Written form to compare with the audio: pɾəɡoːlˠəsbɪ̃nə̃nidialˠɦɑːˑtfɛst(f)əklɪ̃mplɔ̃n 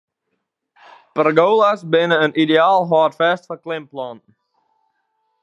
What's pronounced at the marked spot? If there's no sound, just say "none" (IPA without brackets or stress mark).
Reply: f